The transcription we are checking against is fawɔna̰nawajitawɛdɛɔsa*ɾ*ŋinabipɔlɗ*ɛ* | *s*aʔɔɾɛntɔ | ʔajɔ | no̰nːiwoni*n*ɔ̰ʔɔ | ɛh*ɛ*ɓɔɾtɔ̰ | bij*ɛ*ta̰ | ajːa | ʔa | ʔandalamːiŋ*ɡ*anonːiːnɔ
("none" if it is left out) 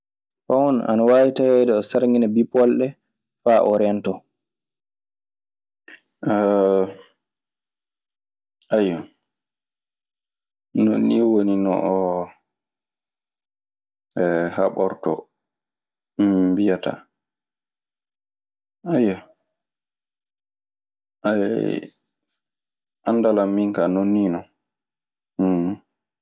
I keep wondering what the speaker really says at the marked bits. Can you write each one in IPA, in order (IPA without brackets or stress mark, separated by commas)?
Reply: ɾ, ɛ, f, n, a, a, k